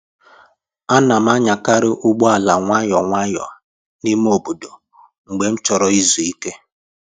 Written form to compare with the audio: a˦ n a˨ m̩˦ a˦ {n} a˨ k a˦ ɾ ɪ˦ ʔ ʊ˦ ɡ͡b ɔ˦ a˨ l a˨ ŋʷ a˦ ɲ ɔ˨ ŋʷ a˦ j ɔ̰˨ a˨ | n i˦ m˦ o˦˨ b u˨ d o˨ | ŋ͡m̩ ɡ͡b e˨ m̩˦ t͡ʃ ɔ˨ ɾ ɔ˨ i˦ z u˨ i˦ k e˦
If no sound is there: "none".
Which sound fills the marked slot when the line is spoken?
ɲ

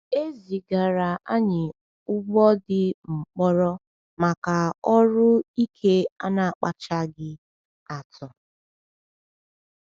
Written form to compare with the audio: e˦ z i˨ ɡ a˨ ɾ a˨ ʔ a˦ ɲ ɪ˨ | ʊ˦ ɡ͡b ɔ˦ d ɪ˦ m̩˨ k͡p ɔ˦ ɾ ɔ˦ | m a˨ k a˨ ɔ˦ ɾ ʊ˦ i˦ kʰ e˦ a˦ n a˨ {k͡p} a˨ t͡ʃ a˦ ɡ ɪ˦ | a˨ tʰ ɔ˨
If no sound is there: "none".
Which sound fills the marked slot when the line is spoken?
k͡p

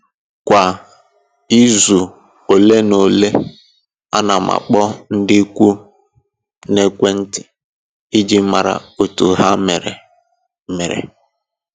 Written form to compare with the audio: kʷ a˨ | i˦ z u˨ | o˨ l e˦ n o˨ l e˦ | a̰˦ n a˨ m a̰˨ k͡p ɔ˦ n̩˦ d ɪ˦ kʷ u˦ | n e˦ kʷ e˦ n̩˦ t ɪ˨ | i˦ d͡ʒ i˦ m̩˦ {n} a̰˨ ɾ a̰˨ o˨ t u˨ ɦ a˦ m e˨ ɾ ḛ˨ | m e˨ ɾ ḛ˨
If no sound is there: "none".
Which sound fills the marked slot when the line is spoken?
m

